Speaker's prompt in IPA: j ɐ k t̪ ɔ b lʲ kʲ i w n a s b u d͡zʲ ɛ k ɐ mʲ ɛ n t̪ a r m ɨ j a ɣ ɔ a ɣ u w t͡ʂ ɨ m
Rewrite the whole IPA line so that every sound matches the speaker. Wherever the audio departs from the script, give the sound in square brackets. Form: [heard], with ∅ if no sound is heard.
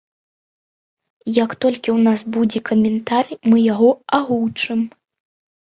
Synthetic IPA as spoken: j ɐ k t̪ ɔ [∅] lʲ kʲ i w n a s b u d͡zʲ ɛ k ɐ mʲ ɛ n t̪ a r m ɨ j a ɣ ɔ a ɣ u w t͡ʂ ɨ m